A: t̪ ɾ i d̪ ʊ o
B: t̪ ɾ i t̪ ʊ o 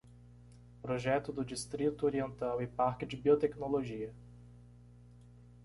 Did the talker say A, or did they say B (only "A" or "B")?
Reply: B